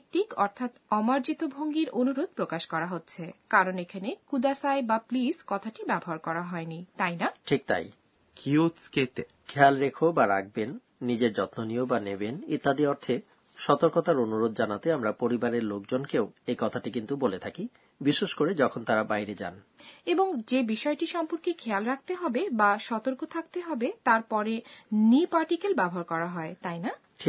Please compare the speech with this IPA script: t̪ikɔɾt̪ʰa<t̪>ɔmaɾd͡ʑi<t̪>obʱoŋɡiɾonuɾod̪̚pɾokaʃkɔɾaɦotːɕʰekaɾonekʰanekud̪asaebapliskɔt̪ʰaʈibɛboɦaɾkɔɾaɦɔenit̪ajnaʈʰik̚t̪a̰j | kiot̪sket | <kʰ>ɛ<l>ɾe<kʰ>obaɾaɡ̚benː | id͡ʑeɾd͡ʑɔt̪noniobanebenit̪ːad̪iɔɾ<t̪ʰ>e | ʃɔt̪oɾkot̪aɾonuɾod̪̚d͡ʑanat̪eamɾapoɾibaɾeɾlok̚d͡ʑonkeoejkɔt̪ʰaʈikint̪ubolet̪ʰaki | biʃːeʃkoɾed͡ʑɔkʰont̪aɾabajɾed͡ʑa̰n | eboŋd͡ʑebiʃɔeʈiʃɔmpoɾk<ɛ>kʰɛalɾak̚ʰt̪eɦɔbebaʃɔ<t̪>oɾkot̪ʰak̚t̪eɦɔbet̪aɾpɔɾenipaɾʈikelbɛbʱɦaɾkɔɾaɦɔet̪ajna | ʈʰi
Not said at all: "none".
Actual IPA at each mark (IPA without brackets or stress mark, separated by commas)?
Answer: t̪, t̪, kʰ, l, kʰ, t̪ʰ, e, t̪